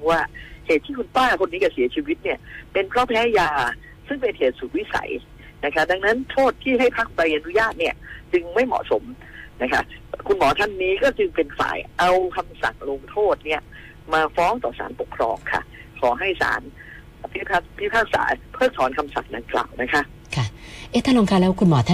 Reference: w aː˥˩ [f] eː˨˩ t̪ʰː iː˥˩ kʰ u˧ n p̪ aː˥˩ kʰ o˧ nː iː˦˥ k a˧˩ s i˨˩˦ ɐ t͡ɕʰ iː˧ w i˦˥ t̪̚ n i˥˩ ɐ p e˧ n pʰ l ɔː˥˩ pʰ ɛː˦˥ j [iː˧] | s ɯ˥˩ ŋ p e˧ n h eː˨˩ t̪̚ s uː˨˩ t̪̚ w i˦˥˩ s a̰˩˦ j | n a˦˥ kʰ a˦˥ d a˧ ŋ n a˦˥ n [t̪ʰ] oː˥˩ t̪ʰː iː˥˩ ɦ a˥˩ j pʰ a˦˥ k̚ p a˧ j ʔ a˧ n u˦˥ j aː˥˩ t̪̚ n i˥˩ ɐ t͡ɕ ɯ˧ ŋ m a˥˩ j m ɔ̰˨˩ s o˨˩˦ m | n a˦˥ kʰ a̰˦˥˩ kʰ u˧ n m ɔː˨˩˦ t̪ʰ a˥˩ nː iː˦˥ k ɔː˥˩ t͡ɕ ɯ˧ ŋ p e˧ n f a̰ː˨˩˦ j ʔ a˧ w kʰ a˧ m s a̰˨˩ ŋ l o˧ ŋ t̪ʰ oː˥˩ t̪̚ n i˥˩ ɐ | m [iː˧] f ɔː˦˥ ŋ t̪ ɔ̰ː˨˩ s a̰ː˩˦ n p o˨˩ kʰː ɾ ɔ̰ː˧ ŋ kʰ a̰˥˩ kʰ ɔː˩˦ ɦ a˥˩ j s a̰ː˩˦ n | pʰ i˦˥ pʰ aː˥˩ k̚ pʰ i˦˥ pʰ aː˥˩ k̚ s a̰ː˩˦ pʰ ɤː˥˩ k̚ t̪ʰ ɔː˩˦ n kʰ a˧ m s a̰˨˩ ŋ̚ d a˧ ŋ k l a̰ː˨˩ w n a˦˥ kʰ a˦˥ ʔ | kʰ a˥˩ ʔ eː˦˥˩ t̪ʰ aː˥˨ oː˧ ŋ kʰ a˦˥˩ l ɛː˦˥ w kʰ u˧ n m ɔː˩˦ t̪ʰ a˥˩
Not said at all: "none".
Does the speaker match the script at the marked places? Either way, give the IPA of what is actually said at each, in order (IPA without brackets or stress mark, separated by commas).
h, aː˧, t̪ʰ, aː˧